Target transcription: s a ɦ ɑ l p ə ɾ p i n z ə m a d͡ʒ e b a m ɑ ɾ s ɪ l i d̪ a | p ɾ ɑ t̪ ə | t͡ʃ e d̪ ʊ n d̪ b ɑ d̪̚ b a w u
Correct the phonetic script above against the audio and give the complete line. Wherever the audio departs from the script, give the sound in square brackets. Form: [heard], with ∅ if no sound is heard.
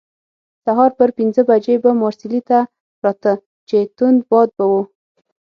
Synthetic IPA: s a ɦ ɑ [ɾ] p ə ɾ p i n z ə [b] a d͡ʒ e b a m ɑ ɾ s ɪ l i [t̪] a | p ɾ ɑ t̪ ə | t͡ʃ e [t̪] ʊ n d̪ b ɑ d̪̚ b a w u

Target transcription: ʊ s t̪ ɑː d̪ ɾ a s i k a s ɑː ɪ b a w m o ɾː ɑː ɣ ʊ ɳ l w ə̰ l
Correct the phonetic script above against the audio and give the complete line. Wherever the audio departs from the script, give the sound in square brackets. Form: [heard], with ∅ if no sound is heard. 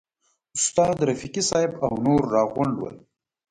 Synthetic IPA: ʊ s t̪ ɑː d̪ ɾ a [f] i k [i] s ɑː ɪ b a w [n] o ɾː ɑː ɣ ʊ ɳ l w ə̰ l

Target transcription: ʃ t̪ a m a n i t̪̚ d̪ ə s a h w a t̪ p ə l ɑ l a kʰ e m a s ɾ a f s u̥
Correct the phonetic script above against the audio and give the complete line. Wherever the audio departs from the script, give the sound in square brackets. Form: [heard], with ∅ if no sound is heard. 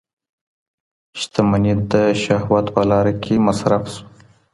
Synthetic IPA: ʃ t̪ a m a n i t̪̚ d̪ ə [ʃ] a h w a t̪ p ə l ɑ [ɾ] a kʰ e m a s ɾ a f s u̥

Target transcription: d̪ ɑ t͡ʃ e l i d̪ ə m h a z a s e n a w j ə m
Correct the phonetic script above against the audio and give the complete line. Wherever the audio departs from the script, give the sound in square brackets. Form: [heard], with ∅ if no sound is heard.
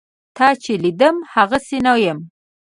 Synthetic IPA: [t̪] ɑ t͡ʃ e l i d̪ ə m h a [ɣ] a s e n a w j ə m

